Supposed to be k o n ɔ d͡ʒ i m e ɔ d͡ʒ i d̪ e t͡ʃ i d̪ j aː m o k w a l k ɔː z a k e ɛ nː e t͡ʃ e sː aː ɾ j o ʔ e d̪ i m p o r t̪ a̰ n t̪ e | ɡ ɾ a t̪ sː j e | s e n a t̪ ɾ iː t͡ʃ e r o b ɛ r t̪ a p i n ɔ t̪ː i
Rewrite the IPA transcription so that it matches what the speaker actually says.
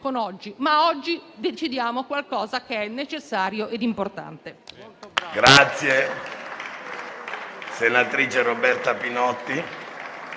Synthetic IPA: k o n ɔ d͡ʒː i m a ɔ d͡ʒː i d̪ e t͡ʃ i d̪ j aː m o k w a l k ɔː z a k e ɛ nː e t͡ʃ e sː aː ɾ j o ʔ e d̪ i m p o r t̪ a̰ n t̪ e | ɡ ɾ a t̪ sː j e | s e n a t̪ ɾ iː t͡ʃ e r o b ɛ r t̪ a p i n ɔ t̪ː i